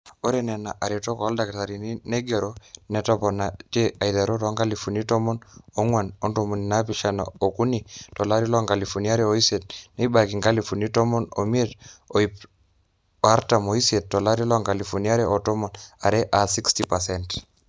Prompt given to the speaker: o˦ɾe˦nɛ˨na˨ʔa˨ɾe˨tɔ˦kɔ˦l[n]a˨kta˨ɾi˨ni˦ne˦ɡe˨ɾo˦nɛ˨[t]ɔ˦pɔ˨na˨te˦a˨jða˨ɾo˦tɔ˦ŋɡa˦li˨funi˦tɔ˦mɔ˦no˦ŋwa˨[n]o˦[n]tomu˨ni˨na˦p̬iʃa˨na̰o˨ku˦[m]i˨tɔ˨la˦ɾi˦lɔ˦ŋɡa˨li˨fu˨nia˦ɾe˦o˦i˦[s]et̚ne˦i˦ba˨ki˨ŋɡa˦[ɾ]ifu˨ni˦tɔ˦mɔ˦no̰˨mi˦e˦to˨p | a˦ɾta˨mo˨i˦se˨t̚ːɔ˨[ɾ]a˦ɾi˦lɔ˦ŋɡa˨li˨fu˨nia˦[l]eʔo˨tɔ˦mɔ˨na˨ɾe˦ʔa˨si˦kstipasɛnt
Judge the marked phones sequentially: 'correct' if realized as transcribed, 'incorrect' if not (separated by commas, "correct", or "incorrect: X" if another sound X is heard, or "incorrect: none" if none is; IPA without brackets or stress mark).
incorrect: d, correct, correct, correct, incorrect: n, correct, incorrect: l, incorrect: l, incorrect: ɾ